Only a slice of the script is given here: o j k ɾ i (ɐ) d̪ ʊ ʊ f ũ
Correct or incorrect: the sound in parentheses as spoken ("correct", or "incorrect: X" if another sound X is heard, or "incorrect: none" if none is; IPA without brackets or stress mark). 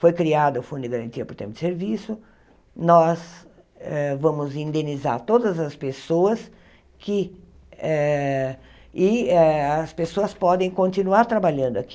incorrect: a